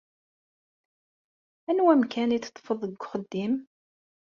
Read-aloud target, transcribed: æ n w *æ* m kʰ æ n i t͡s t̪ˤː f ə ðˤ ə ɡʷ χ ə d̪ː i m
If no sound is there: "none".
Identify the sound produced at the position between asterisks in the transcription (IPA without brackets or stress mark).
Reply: æ